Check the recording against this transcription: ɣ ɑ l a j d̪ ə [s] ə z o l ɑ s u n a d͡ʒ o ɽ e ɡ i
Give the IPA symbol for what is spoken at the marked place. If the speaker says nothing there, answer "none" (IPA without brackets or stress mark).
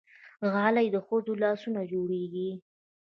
x